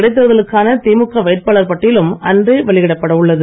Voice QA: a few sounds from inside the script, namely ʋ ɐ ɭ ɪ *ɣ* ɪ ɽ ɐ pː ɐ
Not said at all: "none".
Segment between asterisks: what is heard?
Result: ɣ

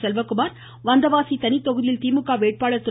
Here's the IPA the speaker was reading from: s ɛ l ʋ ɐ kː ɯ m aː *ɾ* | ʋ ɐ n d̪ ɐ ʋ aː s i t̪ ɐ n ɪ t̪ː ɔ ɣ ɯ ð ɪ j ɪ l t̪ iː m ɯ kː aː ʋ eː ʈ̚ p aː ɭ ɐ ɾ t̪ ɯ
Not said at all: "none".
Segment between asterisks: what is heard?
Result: ɾ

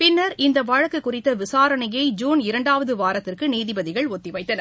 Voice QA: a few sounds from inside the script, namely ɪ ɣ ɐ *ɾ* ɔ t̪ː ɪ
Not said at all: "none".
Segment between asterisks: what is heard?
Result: ɭ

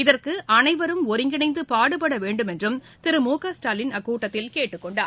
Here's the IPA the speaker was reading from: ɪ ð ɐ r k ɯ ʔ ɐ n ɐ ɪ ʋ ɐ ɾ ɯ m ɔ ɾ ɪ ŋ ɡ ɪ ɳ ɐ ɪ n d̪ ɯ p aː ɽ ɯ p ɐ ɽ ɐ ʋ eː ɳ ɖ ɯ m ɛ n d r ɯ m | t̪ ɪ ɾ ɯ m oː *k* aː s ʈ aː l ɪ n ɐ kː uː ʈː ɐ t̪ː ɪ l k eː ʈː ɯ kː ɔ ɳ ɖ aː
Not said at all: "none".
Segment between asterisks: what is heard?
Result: k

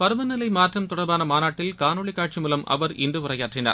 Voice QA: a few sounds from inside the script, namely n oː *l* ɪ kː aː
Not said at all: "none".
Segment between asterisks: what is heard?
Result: ɭ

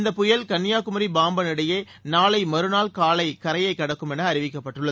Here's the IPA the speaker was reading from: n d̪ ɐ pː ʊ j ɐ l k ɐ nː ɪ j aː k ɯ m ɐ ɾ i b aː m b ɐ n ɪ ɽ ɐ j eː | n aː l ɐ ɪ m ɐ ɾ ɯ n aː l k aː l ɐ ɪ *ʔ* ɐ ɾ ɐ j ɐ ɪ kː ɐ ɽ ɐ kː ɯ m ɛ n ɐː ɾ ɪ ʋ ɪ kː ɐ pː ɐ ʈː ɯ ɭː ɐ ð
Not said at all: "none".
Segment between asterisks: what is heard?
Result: k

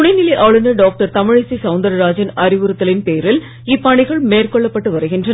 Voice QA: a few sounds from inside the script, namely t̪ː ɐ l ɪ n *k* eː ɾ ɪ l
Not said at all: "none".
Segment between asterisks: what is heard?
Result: p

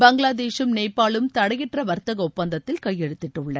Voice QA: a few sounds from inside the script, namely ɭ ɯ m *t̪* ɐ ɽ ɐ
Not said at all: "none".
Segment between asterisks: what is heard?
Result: t̪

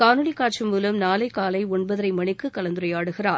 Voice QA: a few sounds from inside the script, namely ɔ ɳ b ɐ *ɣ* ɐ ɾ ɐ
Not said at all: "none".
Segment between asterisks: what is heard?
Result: ð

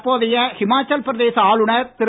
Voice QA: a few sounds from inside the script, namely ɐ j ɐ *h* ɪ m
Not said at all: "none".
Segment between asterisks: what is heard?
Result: h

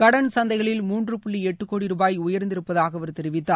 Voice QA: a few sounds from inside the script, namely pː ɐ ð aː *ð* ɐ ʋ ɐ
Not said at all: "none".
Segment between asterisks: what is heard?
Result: ɣ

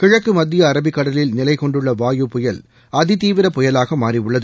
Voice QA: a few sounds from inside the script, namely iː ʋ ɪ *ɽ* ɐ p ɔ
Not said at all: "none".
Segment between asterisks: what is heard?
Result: ɾ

